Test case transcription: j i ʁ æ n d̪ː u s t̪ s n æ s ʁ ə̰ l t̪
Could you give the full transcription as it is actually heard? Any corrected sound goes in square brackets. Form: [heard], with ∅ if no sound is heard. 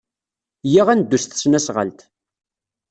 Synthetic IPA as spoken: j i ʁ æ n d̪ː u s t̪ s n æ s ʁ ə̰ l t̪